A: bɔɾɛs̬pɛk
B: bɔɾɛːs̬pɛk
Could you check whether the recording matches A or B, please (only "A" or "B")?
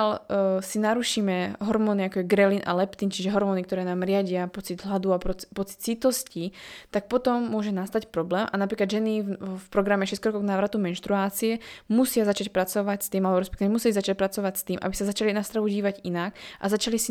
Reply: A